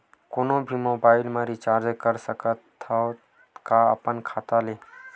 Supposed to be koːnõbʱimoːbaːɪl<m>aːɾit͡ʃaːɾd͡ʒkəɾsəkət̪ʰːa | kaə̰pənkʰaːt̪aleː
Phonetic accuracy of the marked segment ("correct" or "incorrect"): correct